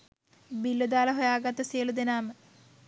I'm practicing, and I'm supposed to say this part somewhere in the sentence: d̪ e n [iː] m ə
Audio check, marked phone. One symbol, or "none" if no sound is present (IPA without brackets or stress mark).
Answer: aː